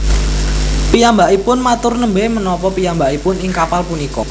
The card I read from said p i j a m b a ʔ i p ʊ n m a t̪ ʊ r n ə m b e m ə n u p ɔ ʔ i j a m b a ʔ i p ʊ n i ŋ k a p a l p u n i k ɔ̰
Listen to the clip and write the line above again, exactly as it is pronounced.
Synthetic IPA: p i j a m b a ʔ i p ʊ n m a t̪ ʊ r n ə m b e m ə n ɔ p ɔ p i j a m b a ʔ i p ʊ n ɪ ŋ k a p a l p u n i k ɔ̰

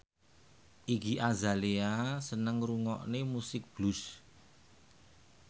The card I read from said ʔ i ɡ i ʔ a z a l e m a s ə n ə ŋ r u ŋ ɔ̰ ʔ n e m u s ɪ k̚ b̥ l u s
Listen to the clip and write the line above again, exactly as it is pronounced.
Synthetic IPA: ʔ i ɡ i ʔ a z a l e a s ə n ə ŋ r u ŋ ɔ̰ ʔ n e m u s ɪ k̚ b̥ l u s

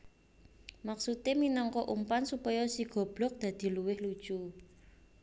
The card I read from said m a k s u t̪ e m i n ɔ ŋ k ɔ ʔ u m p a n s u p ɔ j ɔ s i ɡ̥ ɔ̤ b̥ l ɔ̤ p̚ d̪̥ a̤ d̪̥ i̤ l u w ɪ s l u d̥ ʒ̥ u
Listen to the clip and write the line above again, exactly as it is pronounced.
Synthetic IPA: m a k s u t̪ e m i n ɔ ŋ k ɔ ʔ u m p a n s u p ɔ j ɔ s i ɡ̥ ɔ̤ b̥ l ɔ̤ k̚ d̪̥ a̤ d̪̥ i̤ l u w ɪ h l u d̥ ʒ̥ u

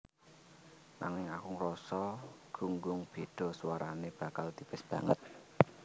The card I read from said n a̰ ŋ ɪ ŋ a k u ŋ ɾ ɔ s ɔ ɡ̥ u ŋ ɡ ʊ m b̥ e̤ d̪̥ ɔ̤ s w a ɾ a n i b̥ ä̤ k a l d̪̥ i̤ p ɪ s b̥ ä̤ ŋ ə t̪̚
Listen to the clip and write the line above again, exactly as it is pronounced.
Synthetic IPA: n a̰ ŋ ɪ ŋ a k u ŋ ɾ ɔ s ɔ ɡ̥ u ŋ ɡ ʊ ŋ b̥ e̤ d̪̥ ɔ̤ s w a ɾ a n e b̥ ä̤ k a l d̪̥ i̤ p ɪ s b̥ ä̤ ŋ ə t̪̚

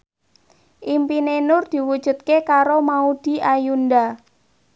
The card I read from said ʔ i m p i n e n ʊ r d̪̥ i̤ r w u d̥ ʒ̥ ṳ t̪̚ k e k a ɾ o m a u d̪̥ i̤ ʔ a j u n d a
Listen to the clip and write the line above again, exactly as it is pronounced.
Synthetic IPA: ʔ i m p i n e n ʊ r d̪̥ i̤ w u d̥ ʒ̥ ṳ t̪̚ k e k a ɾ o m a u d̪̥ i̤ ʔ a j u n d a

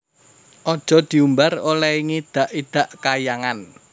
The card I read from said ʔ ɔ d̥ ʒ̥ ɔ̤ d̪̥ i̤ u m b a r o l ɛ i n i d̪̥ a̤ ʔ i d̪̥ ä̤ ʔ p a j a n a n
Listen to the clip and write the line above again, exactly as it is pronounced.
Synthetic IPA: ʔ ɔ d̥ ʒ̥ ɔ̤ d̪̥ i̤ u m b a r o l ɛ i ŋ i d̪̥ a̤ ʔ i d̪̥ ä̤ ʔ k a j a ŋ a n

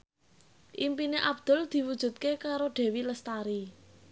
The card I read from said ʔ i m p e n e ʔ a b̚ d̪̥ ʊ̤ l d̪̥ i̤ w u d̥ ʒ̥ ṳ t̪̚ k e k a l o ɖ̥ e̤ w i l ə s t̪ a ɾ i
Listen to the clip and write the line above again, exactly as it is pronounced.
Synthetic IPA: ʔ i m p i n e ʔ a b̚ d̪̥ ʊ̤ l d̪̥ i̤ w u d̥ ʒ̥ ṳ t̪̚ k e k a ɾ o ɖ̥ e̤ w i l ə s t̪ a ɾ i

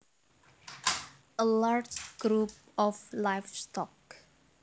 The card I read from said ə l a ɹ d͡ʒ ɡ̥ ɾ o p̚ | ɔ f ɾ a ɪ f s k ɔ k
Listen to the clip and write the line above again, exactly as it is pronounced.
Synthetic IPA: ə l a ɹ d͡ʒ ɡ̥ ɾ u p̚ | ɔ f l a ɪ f s t ɔ k

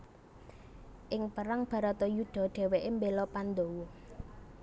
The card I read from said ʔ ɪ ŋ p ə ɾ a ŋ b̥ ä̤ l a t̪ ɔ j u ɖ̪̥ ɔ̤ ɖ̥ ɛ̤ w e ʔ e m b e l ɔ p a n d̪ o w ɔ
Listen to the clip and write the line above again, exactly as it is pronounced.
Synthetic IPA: ʔ ɪ ŋ p ə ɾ a ŋ b̥ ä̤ ɾ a t̪ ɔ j u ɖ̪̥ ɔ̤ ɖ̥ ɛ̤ w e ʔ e m b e l ɔ p a n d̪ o w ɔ

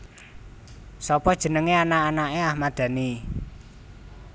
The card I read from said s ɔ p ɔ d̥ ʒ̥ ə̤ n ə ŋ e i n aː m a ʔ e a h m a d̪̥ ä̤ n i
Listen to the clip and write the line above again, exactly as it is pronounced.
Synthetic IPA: s ɔ p ɔ d̥ ʒ̥ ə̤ n ə ŋ e a n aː n a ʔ e a h m a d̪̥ ä̤ n i

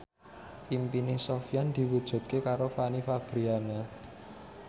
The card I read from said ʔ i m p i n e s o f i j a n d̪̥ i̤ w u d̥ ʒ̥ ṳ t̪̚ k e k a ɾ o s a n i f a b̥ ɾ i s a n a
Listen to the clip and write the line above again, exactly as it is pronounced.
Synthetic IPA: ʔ i m p i n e s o f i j a n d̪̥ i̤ w u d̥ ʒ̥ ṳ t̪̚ k e k a ɾ o f a n i f a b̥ ɾ i a n a

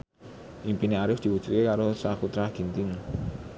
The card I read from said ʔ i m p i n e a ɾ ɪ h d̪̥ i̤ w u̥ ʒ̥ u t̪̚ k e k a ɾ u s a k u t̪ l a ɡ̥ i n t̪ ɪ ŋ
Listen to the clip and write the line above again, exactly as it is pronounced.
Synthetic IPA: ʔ i m p i n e a ɾ ɪ f d̪̥ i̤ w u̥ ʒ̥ u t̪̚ k e k a ɾ o s a k u t̪ ɾ a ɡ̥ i n t̪ ɪ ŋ

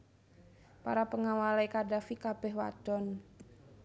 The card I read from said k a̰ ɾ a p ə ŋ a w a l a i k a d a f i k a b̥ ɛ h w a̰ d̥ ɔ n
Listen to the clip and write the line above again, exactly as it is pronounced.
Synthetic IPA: p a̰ ɾ a p ə ŋ a w a l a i k a d a f i k a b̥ ɛ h w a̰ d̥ ɔ n

